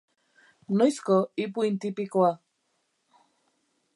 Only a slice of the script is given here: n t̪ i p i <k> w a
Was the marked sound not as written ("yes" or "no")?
no